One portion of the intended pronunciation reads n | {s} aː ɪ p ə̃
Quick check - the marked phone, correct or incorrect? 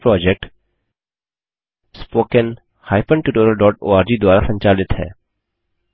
incorrect